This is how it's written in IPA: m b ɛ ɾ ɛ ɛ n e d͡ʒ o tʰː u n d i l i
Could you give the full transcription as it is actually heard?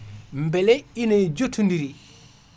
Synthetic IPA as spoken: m b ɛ l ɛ i n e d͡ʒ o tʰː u n d i ɾ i